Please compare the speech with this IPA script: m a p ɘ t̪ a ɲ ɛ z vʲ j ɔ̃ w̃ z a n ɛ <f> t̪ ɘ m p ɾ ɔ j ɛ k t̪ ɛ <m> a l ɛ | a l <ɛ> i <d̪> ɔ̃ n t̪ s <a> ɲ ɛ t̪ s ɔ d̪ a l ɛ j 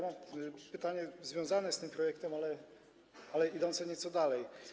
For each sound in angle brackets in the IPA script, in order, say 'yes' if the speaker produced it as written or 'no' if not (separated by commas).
no, yes, yes, yes, no